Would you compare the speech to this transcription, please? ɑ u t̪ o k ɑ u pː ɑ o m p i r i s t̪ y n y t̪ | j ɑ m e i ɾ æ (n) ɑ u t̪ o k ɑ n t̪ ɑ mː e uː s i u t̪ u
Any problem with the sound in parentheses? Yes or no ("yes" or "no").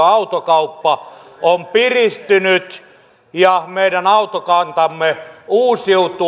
no